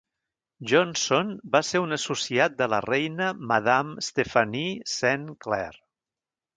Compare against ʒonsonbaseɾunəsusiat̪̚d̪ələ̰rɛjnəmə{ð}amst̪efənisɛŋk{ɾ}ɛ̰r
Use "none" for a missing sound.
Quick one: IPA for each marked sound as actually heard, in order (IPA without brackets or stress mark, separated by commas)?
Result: ð, l